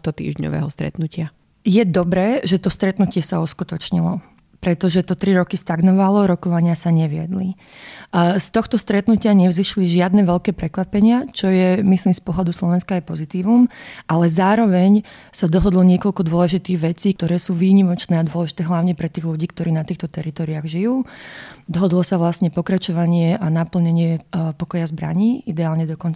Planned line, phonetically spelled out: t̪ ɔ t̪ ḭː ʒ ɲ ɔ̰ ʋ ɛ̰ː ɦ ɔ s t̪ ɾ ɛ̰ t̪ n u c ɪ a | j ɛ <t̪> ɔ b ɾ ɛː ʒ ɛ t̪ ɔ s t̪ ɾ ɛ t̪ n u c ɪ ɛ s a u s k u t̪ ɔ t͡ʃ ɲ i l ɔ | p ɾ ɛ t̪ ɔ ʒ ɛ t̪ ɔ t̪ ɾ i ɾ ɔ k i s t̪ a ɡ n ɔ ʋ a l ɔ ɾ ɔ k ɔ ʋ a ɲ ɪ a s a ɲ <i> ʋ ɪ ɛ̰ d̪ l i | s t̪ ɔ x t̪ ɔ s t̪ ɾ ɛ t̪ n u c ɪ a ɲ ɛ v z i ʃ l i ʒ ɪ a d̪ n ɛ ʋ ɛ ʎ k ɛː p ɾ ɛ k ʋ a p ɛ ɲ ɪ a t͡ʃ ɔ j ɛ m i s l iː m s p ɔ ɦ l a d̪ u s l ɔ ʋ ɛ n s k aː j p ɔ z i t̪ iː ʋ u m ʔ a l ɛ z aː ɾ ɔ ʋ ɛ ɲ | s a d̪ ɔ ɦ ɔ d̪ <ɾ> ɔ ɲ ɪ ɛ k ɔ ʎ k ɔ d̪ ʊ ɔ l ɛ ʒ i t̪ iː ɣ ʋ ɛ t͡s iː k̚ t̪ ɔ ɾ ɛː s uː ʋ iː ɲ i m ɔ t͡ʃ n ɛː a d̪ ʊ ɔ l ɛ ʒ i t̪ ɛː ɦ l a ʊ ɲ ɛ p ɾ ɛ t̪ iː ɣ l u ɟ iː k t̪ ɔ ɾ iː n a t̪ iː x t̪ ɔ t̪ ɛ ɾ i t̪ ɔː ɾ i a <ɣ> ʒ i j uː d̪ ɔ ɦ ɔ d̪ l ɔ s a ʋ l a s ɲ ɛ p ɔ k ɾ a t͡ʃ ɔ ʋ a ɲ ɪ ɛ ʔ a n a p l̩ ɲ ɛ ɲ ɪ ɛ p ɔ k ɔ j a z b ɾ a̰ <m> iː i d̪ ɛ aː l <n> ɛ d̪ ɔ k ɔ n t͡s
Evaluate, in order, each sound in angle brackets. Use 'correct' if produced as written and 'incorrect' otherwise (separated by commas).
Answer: incorrect, incorrect, incorrect, correct, incorrect, incorrect